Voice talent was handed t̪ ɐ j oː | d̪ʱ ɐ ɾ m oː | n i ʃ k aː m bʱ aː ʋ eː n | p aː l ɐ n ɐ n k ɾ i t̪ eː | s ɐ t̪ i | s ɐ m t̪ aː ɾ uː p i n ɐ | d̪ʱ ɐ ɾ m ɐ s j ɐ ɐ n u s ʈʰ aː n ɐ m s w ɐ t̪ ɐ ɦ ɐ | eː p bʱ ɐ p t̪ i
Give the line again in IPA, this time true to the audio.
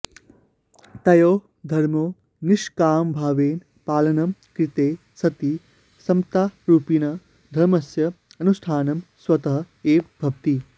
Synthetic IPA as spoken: t̪ ɐ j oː | d̪ʱ ɐ ɾ m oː | n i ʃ k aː m bʱ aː ʋ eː n | p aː l ɐ n ɐ m k ɾ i t̪ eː | s ɐ t̪ i | s ɐ m t̪ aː ɾ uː p i n ɐ | d̪ʱ ɐ ɾ m ɐ s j ɐ ɐ n u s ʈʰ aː n ɐ m s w ɐ t̪ ɐ ɦ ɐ | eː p bʱ ɐ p t̪ i

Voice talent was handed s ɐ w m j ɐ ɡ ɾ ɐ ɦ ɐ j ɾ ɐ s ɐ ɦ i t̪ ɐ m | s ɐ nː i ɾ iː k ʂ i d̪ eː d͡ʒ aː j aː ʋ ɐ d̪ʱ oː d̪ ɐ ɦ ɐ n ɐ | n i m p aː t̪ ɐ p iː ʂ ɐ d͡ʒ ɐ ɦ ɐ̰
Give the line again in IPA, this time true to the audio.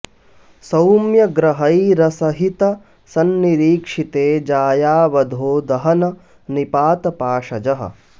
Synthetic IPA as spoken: s ɐ w m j ɐ ɡ ɾ ɐ ɦ ɐ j ɾ ɐ s ɐ ɦ i t̪ ɐ | s ɐ nː i ɾ iː k ʂ i t̪ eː d͡ʒ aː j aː ʋ ɐ d̪ʱ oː d̪ ɐ ɦ ɐ n ɐ | n i p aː t̪ ɐ p aː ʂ ɐ d͡ʒ ɐ ɦ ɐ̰

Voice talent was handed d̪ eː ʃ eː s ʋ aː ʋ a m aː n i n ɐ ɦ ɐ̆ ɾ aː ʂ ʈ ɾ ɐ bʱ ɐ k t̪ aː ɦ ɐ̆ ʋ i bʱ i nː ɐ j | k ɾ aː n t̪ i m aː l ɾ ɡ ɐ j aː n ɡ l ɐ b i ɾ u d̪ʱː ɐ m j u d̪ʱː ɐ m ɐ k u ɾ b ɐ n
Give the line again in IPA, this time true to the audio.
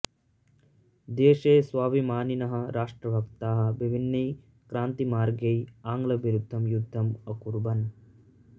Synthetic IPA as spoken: d̪ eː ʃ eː s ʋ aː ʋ i m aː n i n ɐ ɦ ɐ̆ ɾ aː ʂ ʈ ɾ ɐ bʱ ɐ k t̪ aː ɦ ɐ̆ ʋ i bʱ i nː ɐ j | k ɾ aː n t̪ i m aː ɾ ɡ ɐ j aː ŋ ɡ l ɐ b i ɾ u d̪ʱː ɐ m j u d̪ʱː ɐ m ɐ k u ɾ b ɐ n

